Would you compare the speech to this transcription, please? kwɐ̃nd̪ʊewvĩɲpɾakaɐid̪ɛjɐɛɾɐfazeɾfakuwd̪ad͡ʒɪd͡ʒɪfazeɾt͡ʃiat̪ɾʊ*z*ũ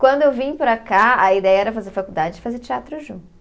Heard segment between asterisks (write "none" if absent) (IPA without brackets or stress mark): ʒ